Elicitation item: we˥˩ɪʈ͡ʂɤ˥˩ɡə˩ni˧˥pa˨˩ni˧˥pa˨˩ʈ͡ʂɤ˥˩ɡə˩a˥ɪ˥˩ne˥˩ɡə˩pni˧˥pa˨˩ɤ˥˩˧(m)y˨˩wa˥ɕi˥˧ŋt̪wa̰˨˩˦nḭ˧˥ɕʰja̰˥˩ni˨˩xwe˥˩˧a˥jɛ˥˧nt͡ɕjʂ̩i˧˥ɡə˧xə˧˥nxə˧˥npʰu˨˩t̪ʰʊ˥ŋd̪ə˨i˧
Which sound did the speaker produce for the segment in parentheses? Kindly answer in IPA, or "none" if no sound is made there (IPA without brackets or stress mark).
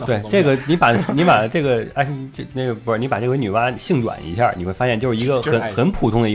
n